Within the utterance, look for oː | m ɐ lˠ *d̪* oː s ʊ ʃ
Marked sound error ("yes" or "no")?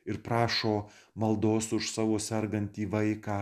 no